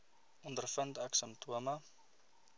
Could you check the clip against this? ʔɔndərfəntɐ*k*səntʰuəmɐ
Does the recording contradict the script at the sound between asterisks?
no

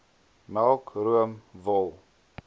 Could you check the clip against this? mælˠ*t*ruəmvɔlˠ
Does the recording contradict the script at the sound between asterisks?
yes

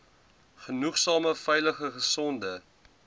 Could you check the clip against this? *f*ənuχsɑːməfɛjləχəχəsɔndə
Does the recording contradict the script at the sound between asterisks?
yes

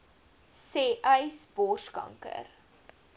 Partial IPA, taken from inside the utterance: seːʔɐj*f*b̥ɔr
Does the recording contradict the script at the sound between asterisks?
yes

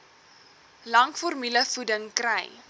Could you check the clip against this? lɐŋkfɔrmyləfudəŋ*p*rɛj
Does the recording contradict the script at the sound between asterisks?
yes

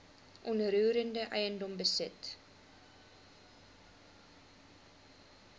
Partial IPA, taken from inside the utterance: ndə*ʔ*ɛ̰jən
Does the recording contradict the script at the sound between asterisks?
no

